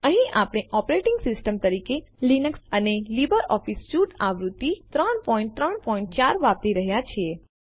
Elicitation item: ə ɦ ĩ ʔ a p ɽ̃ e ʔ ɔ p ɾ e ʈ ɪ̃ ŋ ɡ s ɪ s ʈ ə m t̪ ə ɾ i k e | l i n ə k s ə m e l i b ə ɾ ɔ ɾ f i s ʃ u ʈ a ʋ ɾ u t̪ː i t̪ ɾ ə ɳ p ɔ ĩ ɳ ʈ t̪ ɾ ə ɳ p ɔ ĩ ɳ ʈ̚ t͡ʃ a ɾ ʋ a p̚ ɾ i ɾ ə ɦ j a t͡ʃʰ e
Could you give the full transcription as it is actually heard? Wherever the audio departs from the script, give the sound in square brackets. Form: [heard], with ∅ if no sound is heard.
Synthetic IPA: ə ɦ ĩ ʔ a p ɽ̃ e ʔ ɔ p ɾ e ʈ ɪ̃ ŋ ɡ s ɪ s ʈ ə m t̪ ə ɾ i k e | l i n ə k s ə [n] e l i b ə ɾ ɔ [∅] f i s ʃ u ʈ a ʋ ɾ u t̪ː i t̪ ɾ ə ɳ p ɔ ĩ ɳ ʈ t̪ ɾ ə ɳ p ɔ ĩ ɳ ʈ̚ t͡ʃ a ɾ ʋ a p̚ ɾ i ɾ ə ɦ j a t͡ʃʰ e